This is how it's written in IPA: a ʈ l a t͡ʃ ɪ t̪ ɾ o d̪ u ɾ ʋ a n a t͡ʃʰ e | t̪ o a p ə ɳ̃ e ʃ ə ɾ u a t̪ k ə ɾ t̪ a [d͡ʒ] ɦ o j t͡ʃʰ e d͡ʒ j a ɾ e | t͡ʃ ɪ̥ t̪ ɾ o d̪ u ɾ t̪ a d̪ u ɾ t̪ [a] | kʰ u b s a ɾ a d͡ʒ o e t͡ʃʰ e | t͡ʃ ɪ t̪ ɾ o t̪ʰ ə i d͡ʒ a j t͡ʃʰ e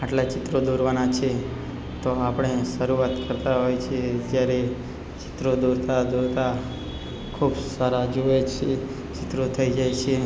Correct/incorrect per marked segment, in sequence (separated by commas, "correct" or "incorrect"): incorrect, correct